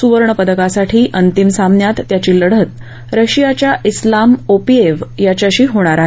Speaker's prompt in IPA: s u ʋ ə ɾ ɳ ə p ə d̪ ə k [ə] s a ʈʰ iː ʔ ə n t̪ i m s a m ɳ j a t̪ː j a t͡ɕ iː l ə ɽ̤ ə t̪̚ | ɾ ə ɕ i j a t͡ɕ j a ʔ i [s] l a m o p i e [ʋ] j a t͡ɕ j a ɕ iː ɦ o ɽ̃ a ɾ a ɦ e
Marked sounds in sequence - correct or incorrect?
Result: incorrect: a, correct, correct

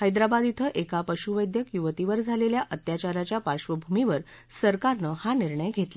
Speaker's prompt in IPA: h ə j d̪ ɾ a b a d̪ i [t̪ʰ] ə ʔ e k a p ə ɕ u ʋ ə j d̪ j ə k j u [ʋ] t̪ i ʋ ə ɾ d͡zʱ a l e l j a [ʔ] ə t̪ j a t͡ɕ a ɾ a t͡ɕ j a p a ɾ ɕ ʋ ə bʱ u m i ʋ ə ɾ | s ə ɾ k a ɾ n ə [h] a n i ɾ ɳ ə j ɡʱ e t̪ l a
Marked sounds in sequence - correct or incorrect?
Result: correct, correct, correct, correct

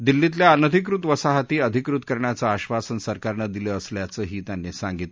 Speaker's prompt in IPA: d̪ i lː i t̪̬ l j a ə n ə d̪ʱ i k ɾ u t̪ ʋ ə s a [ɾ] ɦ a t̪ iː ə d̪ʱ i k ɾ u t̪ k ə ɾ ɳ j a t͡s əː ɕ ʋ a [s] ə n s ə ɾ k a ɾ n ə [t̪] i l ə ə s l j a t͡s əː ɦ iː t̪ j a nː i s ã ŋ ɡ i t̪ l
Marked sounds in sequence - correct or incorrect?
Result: incorrect: none, correct, incorrect: d̪

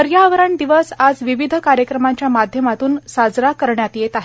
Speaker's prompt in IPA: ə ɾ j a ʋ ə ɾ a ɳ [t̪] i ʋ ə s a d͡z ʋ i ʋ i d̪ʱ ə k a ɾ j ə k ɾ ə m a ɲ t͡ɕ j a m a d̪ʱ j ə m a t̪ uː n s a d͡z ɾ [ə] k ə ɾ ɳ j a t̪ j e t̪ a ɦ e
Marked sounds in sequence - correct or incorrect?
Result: incorrect: d̪, incorrect: a

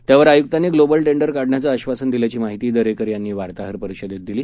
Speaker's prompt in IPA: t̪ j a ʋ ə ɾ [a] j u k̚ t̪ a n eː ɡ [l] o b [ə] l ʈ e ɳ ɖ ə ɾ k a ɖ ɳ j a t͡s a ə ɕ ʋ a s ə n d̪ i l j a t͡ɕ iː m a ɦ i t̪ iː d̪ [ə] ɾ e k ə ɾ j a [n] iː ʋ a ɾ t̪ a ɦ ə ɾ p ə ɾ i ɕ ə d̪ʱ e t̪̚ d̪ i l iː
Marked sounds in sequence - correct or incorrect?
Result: correct, correct, correct, correct, incorrect: nː

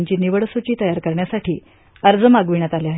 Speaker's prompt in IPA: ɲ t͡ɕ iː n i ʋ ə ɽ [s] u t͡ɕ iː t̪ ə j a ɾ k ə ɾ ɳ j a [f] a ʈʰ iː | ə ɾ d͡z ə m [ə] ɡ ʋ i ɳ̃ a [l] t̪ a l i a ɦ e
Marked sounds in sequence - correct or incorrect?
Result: correct, incorrect: s, incorrect: a, incorrect: none

